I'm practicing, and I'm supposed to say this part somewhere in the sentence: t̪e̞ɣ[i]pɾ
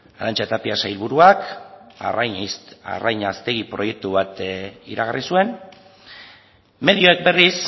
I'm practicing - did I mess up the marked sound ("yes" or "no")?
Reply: no